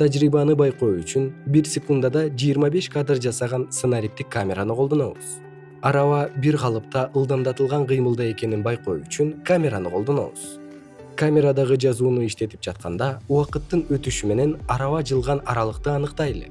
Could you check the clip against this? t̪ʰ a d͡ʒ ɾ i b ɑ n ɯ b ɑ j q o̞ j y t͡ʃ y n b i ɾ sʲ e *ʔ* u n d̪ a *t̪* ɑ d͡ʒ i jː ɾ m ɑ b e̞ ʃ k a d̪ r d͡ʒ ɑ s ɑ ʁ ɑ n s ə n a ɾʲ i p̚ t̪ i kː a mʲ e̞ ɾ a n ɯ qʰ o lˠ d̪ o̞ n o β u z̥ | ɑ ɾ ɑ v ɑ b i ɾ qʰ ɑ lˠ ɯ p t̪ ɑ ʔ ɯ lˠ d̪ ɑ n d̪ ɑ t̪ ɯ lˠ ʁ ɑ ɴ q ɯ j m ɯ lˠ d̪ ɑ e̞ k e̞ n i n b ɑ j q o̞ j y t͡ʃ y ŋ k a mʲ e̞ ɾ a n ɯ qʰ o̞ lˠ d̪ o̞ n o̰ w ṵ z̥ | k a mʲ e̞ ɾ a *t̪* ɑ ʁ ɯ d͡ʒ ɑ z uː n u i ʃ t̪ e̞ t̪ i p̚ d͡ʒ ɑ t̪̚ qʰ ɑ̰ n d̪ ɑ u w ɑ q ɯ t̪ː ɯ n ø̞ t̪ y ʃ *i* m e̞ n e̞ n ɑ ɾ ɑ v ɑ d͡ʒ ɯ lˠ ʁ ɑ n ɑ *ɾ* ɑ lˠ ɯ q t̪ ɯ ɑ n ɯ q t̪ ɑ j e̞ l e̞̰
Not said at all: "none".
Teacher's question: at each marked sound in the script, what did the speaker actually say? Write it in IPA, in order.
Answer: k, d̪, d̪, y, ɾ

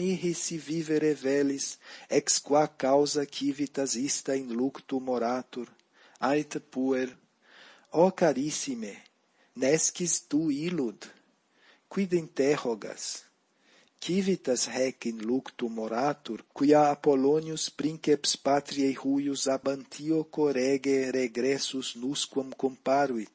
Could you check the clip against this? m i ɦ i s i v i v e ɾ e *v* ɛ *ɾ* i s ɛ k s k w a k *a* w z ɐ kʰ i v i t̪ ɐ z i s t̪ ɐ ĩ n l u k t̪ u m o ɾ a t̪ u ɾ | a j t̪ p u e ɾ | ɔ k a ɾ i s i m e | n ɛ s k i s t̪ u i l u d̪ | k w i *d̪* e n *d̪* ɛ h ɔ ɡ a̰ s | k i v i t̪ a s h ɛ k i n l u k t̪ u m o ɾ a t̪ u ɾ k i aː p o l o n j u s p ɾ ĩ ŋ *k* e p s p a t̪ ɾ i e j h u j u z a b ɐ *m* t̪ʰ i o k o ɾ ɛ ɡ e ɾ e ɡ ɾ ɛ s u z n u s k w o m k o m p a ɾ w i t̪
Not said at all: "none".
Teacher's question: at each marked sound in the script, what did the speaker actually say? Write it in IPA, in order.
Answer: v, l, a, d̪, t̪, k, n

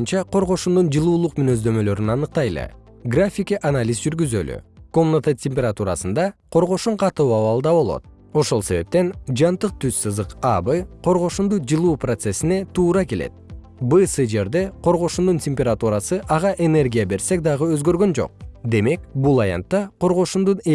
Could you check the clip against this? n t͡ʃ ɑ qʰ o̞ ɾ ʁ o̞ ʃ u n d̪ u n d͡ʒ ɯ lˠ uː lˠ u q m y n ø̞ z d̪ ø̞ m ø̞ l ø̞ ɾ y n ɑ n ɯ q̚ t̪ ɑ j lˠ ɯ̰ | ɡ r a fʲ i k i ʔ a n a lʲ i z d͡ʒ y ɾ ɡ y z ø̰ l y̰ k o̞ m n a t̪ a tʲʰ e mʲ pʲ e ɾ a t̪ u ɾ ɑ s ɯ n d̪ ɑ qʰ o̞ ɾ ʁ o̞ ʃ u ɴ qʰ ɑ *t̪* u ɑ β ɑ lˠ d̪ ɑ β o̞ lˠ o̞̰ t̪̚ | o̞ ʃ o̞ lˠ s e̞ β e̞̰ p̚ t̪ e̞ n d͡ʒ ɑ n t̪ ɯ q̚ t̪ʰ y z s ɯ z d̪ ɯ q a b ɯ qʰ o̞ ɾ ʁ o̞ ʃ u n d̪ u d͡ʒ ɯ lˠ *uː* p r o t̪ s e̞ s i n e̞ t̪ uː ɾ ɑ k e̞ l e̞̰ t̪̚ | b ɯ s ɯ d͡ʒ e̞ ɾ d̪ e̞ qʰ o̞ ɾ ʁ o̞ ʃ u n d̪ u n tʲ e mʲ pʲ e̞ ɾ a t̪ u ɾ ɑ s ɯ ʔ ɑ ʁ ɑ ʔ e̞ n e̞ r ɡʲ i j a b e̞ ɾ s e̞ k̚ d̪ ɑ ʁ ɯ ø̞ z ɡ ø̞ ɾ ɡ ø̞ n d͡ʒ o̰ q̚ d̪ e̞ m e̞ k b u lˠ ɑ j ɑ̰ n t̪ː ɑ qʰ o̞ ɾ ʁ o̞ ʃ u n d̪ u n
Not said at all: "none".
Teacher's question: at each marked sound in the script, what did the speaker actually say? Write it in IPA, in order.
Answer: t̪, uː

